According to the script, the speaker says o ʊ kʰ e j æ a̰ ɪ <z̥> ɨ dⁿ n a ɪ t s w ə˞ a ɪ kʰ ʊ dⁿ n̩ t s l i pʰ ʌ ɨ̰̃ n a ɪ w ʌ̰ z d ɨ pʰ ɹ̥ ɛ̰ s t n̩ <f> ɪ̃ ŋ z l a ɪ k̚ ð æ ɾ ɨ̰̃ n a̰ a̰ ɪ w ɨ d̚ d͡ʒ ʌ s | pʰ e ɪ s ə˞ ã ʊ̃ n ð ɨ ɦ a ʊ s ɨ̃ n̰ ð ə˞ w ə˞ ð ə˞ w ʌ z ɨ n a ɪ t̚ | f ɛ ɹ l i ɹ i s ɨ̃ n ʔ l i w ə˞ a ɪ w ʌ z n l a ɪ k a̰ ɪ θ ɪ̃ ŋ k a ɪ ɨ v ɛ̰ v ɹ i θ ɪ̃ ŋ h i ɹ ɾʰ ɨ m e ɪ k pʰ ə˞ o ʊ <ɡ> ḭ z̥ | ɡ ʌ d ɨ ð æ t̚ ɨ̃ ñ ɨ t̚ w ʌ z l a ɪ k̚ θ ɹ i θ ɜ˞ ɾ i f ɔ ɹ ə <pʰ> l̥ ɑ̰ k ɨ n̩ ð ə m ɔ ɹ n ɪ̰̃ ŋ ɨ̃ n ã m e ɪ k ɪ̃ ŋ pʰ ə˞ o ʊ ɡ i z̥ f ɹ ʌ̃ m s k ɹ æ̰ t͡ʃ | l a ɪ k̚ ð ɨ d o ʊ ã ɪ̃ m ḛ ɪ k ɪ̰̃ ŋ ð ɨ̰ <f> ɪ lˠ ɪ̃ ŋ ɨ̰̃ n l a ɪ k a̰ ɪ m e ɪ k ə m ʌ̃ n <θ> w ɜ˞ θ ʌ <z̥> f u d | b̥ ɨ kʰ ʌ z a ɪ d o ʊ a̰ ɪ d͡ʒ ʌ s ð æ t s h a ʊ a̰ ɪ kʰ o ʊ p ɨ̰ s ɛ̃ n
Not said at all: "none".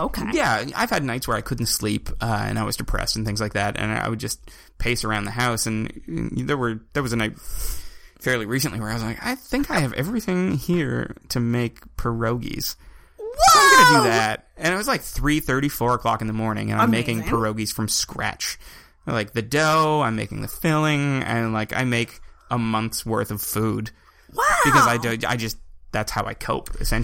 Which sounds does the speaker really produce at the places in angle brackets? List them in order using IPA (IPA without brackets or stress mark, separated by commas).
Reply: v̥, θ, ɡ, kʰ, f, θ, v̥